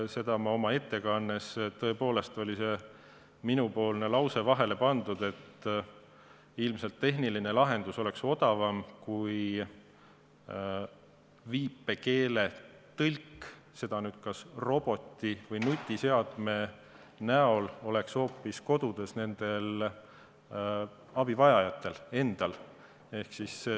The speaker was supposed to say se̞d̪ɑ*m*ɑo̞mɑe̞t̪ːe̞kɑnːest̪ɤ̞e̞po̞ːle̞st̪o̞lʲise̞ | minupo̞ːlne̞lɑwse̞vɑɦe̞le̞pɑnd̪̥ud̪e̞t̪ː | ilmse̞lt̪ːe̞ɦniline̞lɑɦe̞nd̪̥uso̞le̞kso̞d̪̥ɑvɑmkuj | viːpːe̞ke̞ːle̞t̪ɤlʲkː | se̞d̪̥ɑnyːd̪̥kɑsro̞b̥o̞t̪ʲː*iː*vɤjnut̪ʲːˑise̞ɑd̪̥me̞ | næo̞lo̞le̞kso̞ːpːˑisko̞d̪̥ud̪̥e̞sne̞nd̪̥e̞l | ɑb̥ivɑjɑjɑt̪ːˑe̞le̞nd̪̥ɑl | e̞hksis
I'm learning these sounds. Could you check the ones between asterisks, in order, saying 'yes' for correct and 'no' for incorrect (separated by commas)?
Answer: yes, no